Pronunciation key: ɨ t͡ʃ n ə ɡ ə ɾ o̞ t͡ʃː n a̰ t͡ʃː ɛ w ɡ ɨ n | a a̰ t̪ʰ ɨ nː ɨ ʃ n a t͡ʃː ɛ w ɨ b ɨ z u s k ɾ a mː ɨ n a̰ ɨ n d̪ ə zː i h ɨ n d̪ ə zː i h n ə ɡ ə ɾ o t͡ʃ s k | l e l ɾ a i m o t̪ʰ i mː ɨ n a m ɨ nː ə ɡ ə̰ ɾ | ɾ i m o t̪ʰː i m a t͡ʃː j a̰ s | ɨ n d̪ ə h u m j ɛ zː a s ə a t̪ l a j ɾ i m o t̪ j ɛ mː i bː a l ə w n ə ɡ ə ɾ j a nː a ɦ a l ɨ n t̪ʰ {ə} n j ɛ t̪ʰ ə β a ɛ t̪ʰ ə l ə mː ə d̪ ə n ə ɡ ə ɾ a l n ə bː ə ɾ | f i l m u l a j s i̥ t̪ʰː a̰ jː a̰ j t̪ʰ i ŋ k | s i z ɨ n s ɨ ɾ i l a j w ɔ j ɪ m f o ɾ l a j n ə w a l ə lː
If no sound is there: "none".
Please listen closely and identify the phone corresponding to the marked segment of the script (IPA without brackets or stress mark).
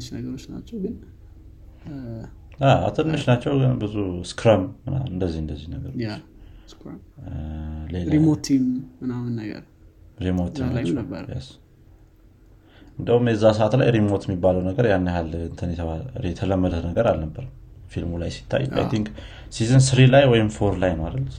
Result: ə